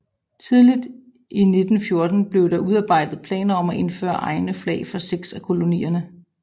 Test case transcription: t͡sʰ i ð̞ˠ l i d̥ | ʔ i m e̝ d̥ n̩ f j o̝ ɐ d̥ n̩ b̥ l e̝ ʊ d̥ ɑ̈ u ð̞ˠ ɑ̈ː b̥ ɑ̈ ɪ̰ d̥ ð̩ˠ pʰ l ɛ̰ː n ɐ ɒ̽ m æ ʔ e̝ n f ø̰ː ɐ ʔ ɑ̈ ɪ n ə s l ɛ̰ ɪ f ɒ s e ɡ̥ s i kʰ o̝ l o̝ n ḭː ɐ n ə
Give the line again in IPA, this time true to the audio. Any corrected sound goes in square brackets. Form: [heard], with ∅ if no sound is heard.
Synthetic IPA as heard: t͡sʰ i ð̞ˠ l i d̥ | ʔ i [n] e̝ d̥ n̩ f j o̝ ɐ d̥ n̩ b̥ l e̝ ʊ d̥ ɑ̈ u ð̞ˠ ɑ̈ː b̥ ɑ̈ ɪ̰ d̥ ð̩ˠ pʰ l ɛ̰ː n ɐ ɒ̽ m æ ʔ e̝ n f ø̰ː ɐ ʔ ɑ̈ ɪ n ə [f] l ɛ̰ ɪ f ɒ s e ɡ̥ s [æ] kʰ o̝ l o̝ n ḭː ɐ n ə